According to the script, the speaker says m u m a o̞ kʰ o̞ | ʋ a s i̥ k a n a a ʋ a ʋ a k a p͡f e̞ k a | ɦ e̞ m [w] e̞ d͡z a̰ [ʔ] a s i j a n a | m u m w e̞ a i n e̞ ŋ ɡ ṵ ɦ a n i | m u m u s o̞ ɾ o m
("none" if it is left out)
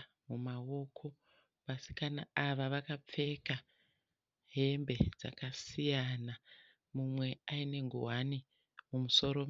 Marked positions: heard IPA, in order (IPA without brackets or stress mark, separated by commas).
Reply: b, k